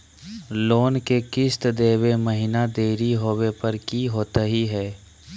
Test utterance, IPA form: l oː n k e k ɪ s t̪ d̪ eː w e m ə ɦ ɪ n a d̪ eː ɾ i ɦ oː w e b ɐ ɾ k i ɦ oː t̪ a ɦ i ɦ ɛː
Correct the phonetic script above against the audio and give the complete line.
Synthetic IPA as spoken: l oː n k e k ɪ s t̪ d̪ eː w e m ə ɦ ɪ n a d̪ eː ɾ i ɦ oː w e p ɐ ɾ k i ɦ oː t̪ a ɦ i ɦ ɛː